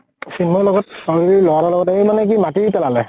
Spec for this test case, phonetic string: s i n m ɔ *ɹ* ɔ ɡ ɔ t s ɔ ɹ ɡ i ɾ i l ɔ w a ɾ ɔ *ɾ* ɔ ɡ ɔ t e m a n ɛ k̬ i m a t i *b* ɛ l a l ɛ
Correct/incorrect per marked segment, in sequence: incorrect: l, incorrect: l, incorrect: p

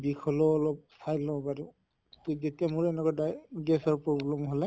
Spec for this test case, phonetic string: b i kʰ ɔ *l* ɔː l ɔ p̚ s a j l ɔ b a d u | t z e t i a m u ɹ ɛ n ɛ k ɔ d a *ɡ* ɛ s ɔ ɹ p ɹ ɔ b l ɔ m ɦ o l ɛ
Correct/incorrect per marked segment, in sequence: correct, correct

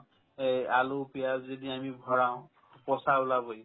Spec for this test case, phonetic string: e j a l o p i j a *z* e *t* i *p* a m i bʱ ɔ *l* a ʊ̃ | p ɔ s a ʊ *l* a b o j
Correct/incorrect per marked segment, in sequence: correct, incorrect: d, incorrect: none, incorrect: ɹ, correct

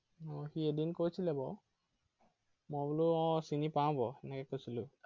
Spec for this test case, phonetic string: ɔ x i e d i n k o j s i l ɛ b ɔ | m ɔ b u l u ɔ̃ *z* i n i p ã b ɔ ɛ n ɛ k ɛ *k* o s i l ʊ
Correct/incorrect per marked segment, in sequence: incorrect: s, correct

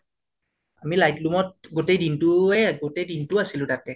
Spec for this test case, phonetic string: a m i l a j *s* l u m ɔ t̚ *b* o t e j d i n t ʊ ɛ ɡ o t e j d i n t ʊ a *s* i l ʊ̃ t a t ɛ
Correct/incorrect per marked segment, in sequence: incorrect: t, incorrect: ɡ, correct

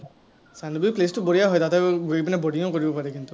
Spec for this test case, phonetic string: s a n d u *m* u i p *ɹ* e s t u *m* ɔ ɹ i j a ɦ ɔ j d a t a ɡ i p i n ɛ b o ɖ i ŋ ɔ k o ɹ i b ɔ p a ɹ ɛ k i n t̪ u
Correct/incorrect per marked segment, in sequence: incorrect: b, incorrect: l, incorrect: b

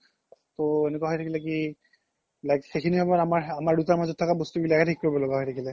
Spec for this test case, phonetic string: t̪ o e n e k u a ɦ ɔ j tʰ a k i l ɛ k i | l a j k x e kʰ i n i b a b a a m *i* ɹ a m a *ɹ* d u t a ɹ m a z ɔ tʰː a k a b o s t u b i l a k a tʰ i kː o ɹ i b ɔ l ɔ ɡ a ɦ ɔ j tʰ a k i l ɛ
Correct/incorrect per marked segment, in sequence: incorrect: a, correct

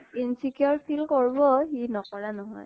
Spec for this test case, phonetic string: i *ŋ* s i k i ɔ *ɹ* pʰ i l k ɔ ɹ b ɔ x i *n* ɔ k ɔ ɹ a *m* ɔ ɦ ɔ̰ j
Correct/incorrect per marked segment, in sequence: incorrect: n, correct, correct, incorrect: n

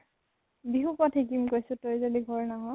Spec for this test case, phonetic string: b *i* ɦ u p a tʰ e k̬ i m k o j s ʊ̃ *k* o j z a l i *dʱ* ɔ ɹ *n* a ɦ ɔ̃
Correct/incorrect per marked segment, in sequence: correct, incorrect: t, incorrect: ɡʱ, correct

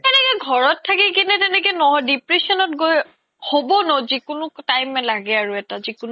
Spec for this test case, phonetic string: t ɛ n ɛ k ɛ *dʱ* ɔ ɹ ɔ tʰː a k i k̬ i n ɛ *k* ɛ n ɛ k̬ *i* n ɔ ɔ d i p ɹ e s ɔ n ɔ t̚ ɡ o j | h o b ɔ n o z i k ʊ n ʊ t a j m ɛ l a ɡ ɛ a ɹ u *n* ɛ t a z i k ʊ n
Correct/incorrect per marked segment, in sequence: incorrect: ɡʱ, incorrect: t, incorrect: ɛ, incorrect: none

